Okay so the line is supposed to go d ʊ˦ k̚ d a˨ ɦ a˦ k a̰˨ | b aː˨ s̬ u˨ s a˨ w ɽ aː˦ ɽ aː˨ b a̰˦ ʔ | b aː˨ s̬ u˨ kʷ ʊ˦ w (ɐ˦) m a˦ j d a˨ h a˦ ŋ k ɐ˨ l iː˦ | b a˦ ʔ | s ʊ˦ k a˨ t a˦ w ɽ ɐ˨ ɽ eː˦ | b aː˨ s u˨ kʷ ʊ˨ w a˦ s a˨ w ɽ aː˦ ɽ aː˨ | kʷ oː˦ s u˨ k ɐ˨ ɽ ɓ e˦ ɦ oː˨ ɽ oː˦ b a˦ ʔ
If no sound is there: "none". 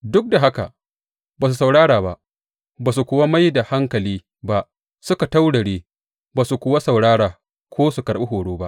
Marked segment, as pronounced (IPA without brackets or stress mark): a˦